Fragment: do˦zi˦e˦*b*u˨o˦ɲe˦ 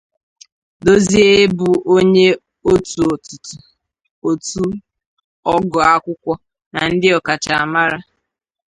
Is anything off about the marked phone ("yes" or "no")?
no